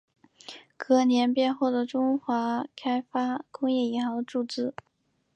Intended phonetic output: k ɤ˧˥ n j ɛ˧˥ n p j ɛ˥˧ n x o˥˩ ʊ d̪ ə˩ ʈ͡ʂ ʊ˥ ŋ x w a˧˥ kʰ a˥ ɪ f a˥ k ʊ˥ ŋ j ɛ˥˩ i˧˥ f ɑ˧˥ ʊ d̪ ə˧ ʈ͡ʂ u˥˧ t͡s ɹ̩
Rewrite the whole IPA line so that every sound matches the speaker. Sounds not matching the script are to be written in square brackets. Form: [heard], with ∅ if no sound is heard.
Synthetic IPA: k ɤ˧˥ n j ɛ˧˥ n p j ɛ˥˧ n x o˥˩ ʊ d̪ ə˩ ʈ͡ʂ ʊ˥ ŋ x w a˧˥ kʰ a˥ ɪ f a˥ k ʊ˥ ŋ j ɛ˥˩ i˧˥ [x] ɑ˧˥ ʊ d̪ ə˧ ʈ͡ʂ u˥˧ t͡s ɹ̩